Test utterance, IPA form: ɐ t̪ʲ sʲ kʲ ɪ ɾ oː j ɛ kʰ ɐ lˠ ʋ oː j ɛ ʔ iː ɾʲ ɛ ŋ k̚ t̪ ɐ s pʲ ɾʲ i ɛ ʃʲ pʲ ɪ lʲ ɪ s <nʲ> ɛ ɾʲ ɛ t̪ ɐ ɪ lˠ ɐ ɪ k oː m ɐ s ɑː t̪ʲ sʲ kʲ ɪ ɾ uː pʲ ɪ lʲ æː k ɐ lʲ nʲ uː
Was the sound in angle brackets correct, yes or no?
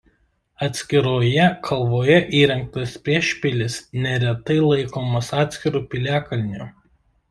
yes